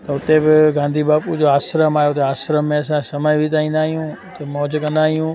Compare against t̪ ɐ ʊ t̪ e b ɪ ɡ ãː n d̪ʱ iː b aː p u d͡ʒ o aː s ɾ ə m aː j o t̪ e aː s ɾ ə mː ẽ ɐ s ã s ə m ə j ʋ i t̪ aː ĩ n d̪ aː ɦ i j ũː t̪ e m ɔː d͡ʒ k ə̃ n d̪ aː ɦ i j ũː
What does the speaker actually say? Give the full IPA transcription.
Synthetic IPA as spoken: t̪ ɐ ʊ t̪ e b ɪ ɡ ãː n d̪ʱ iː b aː p u d͡ʒ o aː s ɾ ə m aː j o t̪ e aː s ɾ ə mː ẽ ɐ s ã s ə m ə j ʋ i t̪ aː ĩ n d̪ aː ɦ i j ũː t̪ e m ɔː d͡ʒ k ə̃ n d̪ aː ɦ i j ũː